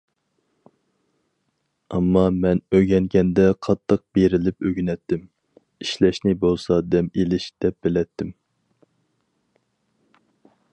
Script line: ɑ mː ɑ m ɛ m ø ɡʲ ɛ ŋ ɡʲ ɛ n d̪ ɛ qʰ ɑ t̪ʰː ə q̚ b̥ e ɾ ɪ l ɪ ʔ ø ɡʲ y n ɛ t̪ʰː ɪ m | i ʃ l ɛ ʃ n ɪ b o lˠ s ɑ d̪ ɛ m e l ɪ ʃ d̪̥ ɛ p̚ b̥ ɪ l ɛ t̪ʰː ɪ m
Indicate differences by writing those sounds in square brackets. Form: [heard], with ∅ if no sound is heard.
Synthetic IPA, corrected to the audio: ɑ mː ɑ m ɛ [n] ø ɡʲ ɛ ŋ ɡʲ ɛ n d̪ ɛ qʰ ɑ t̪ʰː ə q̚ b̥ e ɾ ɪ l ɪ [p] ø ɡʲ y n ɛ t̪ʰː ɪ m | i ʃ l ɛ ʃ n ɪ b o lˠ s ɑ d̪ ɛ m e l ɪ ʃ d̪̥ ɛ p̚ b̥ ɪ l ɛ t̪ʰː ɪ m

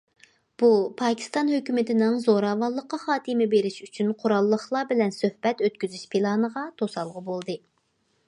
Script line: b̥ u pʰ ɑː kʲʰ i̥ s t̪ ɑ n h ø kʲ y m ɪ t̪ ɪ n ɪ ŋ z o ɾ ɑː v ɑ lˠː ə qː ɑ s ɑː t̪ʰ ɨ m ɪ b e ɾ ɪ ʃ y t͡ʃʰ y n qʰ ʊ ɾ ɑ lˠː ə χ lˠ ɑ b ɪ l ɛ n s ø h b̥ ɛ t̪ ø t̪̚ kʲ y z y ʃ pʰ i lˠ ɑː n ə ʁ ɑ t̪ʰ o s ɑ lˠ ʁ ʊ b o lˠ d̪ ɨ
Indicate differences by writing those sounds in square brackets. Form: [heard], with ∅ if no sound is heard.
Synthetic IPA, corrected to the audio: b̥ u pʰ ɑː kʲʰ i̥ s t̪ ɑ n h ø kʲ y m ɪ t̪ ɪ n ɪ ŋ z o ɾ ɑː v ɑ lˠː ə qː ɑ [χ] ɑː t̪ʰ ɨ m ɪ b e ɾ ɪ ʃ y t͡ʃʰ y n qʰ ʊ ɾ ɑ lˠː ə χ lˠ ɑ b ɪ l ɛ n s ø h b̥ ɛ t̪ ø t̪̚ kʲ y z y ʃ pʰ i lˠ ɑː n ə ʁ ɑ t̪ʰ o s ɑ lˠ ʁ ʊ b o lˠ d̪ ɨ

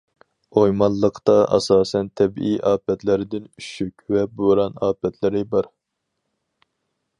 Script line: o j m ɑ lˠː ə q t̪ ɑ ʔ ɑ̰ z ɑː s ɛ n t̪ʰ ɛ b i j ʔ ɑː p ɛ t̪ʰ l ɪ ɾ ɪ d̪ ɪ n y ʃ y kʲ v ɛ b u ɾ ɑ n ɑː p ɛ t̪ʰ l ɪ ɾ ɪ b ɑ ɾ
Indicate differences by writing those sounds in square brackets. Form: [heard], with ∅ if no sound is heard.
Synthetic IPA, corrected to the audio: o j m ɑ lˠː ə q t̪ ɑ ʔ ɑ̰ [s] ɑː s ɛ n t̪ʰ ɛ b i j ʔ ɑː p ɛ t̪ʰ l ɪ ɾ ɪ d̪ ɪ n y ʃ y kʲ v ɛ b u ɾ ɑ n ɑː p ɛ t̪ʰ l ɪ ɾ ɪ b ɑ ɾ

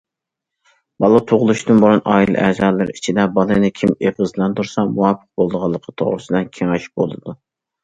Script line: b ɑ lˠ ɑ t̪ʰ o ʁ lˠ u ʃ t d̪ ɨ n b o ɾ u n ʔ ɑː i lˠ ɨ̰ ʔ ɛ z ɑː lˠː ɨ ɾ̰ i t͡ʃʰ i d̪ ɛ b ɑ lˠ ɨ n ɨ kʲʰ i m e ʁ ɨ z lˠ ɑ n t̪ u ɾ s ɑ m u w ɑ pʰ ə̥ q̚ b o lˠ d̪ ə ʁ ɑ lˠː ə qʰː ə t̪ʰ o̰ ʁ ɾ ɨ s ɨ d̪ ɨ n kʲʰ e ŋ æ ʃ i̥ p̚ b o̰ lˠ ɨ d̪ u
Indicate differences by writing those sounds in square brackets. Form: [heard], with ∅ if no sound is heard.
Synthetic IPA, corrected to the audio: b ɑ lˠ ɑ t̪ʰ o ʁ lˠ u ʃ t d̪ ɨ n b o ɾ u n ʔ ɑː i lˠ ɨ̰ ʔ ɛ z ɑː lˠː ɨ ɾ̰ i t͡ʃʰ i d̪ ɛ b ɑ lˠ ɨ n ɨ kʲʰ i m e ʁ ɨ z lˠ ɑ n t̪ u ɾ s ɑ m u w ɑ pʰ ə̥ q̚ b o lˠ d̪ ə ʁ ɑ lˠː ə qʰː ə t̪ʰ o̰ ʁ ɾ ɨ s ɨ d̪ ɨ n kʲʰ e ŋ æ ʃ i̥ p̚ b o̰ lˠ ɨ d̪ u

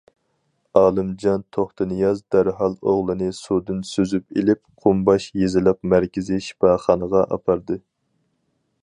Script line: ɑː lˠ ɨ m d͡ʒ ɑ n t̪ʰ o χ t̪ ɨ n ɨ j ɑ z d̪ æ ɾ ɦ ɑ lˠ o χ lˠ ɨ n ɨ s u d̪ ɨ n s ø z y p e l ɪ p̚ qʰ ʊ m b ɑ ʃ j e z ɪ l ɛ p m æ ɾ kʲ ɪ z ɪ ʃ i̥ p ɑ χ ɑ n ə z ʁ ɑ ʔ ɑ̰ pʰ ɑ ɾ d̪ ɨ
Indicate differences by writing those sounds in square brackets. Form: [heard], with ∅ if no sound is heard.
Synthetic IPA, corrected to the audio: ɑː lˠ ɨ m d͡ʒ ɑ n t̪ʰ o χ t̪ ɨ n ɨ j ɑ z d̪ æ ɾ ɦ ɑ lˠ o [ʁ] lˠ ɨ n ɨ s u d̪ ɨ n s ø z y p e l ɪ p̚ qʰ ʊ m b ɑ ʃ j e z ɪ l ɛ p m æ ɾ kʲ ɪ z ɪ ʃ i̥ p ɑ χ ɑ n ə [∅] ʁ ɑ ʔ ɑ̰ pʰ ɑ ɾ d̪ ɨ

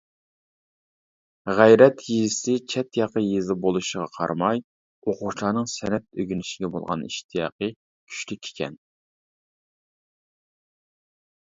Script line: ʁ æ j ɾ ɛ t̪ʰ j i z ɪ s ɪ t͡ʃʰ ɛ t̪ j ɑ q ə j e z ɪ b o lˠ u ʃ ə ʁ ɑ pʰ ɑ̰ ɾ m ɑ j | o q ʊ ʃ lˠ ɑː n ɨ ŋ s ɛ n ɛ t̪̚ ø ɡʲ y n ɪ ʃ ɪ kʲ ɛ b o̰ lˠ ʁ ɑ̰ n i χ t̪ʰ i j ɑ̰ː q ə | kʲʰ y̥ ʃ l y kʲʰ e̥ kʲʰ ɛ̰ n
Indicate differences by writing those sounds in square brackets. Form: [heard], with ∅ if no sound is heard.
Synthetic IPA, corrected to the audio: ʁ æ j ɾ ɛ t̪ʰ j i z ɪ s ɪ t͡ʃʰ ɛ t̪ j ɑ q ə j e z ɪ b o lˠ u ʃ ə ʁ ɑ [qʰ] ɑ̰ ɾ m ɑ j | o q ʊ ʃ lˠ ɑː n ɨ ŋ s ɛ n ɛ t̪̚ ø ɡʲ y n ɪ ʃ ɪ [ɡʲ] ɛ b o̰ lˠ ʁ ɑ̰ n i [ʃ] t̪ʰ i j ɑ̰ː q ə | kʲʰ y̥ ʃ l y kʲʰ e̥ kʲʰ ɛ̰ n

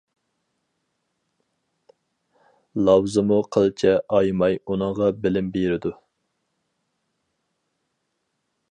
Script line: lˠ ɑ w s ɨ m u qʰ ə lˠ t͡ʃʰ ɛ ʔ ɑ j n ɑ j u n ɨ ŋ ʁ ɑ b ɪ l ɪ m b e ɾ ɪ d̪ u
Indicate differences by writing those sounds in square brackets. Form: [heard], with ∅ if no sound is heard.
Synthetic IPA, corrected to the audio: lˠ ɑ w [z] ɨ m u qʰ ə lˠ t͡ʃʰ ɛ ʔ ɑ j [m] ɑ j u n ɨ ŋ ʁ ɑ b ɪ l ɪ m b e ɾ ɪ d̪ u

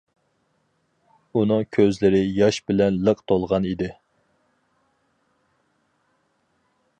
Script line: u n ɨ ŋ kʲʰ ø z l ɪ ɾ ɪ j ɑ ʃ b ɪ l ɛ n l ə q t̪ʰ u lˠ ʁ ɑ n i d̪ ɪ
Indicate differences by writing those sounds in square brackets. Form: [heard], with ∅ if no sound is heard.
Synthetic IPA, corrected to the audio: u n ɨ ŋ kʲʰ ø z l ɪ ɾ ɪ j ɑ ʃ b ɪ l ɛ n l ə q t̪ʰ [o] lˠ ʁ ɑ n i d̪ ɪ

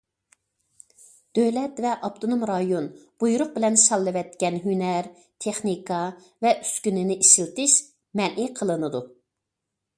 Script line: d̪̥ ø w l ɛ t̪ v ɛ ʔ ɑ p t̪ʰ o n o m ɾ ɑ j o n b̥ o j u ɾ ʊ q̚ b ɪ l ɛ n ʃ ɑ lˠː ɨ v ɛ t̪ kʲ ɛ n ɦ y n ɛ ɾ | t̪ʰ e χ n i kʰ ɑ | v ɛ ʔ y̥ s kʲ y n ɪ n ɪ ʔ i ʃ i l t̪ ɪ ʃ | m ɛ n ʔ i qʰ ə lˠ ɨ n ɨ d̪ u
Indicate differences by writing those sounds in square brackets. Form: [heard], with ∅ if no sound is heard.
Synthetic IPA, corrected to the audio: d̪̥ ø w l ɛ t̪ v ɛ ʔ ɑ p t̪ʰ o n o m ɾ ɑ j o n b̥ [u] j u ɾ ʊ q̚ b ɪ l ɛ n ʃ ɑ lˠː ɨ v ɛ t̪ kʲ ɛ n ɦ y n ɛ ɾ | t̪ʰ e χ n i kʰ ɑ | v ɛ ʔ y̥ s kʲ y n ɪ n ɪ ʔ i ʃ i l t̪ ɪ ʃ | m ɛ n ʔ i qʰ ə lˠ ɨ n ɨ d̪ u

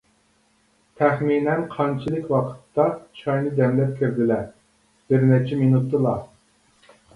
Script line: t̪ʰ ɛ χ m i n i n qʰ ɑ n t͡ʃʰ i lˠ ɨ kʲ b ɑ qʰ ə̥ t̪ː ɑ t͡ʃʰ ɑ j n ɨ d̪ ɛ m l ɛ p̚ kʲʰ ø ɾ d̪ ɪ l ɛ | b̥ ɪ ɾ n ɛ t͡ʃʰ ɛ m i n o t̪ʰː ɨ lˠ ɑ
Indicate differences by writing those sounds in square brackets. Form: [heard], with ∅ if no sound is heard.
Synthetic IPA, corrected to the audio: t̪ʰ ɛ χ m i n [ɛ] n qʰ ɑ n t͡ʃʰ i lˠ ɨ kʲ [w] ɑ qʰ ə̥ t̪ː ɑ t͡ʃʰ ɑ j n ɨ d̪ ɛ m l ɛ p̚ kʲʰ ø ɾ d̪ ɪ l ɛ | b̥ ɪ ɾ n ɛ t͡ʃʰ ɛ m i n [u] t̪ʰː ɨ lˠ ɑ

